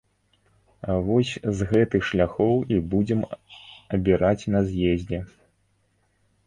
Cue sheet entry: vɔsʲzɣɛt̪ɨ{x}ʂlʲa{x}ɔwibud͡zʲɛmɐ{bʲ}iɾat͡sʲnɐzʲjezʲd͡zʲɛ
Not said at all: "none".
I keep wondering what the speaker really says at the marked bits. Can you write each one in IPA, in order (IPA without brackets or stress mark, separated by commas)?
x, x, bʲ